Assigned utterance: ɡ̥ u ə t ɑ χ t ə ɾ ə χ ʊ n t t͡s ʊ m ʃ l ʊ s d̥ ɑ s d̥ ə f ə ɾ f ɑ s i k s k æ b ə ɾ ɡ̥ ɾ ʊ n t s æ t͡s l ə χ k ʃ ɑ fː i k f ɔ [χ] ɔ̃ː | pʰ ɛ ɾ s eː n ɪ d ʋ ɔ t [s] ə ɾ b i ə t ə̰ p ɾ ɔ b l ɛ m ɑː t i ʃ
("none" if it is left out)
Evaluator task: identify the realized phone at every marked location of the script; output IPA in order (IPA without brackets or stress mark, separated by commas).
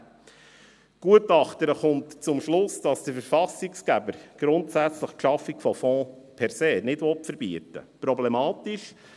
f, f